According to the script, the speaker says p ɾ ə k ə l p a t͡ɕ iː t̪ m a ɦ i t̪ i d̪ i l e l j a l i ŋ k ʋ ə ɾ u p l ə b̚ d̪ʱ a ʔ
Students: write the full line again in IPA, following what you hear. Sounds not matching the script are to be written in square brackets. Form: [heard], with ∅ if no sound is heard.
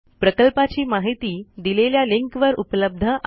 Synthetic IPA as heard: p ɾ ə k ə l p a t͡ɕ iː [∅] m a ɦ i t̪ [iː] d̪ i l e l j a l i ŋ k ʋ ə ɾ u p l ə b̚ d̪ʱ [ə] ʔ

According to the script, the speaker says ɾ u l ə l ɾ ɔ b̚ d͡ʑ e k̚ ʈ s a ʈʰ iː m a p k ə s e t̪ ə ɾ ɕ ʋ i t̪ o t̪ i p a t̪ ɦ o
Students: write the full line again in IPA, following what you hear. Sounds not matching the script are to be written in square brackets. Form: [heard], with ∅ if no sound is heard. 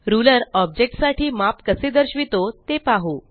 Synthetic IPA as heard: ɾ u l ə [∅] ɾ ɔ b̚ d͡ʑ e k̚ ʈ s a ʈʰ iː m a p k ə s e [d̪] ə ɾ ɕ ʋ i t̪ o t̪ [e] p a [∅] ɦ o

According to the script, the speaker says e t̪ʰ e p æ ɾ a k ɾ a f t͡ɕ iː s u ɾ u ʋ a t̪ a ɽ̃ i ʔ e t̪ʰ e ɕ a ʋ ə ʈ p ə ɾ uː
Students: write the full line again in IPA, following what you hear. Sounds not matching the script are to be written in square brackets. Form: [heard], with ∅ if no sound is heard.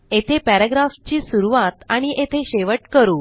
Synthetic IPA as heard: e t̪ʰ e p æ ɾ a [ɡ] ɾ a f t͡ɕ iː s u ɾ u ʋ a t̪ a ɽ̃ i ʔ e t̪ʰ e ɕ [e] ʋ ə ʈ [k] ə ɾ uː

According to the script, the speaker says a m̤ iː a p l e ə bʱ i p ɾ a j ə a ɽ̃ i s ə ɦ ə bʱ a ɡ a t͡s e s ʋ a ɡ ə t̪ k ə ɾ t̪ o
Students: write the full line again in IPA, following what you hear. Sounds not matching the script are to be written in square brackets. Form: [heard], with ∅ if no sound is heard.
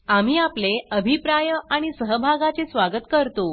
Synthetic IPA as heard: a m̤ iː a p l e ə bʱ i p ɾ a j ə a ɽ̃ i s ə ɦ ə bʱ a ɡ a t͡s e s ʋ a ɡ ə t̪ k ə ɾ t̪ o

